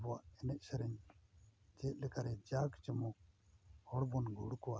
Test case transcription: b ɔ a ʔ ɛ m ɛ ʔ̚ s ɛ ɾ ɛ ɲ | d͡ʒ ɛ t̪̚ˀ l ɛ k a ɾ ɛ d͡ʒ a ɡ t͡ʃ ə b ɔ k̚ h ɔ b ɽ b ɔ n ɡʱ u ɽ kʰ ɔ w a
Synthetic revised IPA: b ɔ a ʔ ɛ n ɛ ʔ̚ s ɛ ɾ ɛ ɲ | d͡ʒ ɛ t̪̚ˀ l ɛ k a ɾ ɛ d͡ʒ a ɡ t͡ʃ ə m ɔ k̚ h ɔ ɽ b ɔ n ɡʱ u ɽ k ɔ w a